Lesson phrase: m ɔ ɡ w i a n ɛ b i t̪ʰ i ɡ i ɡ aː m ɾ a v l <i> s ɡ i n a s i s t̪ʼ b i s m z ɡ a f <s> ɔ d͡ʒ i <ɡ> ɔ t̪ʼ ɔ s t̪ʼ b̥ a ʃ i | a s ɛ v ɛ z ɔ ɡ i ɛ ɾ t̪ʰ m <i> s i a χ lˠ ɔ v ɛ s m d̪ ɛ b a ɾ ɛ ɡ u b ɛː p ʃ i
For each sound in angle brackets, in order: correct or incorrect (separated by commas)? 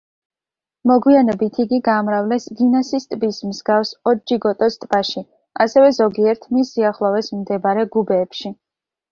incorrect, correct, correct, correct